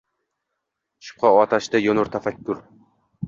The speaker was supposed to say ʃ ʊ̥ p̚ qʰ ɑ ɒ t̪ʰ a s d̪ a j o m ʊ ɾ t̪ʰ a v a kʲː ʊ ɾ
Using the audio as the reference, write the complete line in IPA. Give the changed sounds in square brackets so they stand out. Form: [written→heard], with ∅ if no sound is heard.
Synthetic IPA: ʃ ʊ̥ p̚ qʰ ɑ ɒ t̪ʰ a [s→ʃ] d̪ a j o [m→n] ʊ ɾ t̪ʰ a [v→f] a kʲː ʊ ɾ